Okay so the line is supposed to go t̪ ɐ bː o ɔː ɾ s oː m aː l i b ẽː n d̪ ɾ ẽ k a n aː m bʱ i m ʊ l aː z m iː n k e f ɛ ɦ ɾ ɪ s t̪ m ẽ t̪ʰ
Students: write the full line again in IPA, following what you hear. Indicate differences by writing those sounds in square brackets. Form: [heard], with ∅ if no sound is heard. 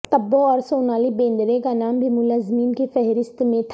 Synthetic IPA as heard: t̪ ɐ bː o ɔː ɾ s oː [n] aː l i b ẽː n d̪ ɾ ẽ k a n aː m bʱ i m ʊ l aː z m iː n k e f ɛ ɦ ɾ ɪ s t̪ m ẽ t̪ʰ